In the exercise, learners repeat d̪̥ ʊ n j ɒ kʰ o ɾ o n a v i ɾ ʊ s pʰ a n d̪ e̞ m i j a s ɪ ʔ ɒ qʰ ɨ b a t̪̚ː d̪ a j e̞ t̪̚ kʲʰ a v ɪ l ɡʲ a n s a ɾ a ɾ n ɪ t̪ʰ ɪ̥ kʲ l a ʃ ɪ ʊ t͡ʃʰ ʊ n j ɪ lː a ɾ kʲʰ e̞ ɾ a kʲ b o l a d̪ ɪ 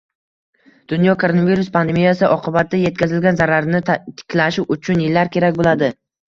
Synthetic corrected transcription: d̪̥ ʊ n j ɒ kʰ o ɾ o n a v i ɾ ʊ s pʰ a n d̪ e̞ m i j a s ɪ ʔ ɒ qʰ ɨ b a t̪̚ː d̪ a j e̞ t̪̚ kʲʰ a z ɪ l ɡʲ a n z a ɾ a ɾ n ɪ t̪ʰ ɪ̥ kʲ l a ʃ ɪ ʊ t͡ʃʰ ʊ n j ɪ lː a ɾ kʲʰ e̞ ɾ a kʲ b o l a d̪ ɪ